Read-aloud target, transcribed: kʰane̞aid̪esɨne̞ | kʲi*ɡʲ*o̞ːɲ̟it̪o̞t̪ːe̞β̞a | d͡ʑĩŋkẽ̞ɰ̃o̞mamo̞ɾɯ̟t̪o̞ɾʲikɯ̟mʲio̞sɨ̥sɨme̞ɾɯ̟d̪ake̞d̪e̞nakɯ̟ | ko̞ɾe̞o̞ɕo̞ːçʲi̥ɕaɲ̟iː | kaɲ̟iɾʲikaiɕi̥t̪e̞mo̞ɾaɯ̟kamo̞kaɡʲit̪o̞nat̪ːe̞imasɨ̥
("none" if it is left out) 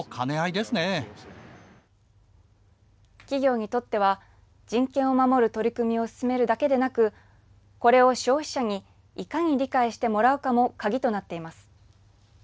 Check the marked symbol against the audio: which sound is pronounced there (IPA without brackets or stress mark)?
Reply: ɡʲ